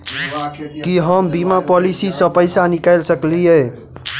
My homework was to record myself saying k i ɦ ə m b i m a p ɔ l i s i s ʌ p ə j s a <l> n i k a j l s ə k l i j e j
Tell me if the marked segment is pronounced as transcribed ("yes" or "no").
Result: no